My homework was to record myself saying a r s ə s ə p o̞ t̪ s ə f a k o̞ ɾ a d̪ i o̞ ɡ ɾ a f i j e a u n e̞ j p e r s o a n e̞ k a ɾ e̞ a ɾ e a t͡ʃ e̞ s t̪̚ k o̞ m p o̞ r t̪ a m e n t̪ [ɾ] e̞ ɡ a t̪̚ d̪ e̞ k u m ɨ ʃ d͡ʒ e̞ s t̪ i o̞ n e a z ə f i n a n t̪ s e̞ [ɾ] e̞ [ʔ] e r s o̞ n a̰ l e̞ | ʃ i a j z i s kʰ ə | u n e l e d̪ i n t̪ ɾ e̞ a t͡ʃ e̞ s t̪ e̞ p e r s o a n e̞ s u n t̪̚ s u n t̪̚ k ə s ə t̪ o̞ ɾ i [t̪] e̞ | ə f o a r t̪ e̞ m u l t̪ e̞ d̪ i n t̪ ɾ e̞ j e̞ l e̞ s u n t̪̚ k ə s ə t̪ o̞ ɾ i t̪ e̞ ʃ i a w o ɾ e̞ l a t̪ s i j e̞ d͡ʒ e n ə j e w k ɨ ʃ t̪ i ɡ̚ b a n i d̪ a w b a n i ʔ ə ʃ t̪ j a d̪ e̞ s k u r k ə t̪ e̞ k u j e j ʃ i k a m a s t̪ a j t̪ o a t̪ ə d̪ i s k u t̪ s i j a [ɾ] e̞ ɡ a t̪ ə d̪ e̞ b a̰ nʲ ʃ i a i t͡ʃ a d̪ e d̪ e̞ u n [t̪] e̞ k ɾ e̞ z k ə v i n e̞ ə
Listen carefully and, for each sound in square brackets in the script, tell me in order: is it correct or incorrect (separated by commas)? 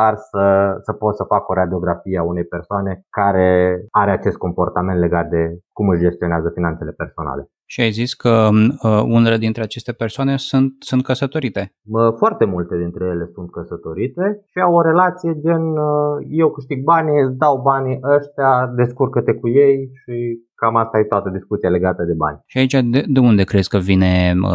incorrect, incorrect, incorrect, correct, incorrect, incorrect